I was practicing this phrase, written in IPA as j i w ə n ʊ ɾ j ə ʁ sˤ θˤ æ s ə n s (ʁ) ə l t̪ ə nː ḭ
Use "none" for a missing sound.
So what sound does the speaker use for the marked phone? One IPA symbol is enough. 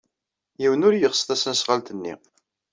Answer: ʁ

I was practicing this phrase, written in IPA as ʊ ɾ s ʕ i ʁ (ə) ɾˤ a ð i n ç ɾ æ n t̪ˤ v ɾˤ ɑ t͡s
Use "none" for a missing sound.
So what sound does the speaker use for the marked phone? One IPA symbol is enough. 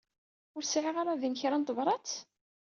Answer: a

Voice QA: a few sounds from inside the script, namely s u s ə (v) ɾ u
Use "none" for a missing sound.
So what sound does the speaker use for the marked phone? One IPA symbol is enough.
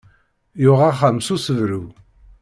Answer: v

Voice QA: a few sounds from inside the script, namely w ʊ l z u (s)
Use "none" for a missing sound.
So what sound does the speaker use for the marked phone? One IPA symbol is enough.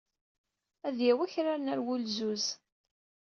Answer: z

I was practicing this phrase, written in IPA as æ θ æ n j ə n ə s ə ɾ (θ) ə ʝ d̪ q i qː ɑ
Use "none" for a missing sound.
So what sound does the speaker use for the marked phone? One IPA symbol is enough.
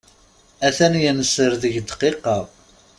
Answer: ð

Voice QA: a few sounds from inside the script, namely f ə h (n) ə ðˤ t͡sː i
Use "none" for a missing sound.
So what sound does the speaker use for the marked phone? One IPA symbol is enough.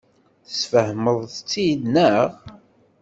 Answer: m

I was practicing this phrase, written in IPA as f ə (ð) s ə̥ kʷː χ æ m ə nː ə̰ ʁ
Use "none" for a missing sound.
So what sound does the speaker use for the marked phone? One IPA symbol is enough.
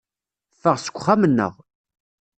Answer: ʁ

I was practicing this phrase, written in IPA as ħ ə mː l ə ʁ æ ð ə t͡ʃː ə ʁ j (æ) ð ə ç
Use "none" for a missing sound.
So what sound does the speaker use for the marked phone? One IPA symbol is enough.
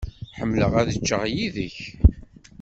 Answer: i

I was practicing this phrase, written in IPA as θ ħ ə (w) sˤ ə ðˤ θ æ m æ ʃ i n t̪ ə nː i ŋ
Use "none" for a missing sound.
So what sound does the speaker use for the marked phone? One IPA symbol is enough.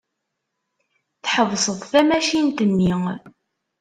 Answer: v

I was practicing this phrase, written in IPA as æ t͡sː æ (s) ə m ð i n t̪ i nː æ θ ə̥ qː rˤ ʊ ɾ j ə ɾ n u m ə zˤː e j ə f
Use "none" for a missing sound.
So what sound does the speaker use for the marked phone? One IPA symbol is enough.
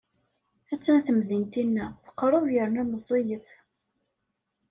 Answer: θ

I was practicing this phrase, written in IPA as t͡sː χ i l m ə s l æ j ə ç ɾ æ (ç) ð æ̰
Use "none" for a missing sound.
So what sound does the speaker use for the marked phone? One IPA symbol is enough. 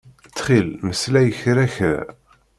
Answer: ç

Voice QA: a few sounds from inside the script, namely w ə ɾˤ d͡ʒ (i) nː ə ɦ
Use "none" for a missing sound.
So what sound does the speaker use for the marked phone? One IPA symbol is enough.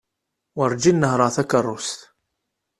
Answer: i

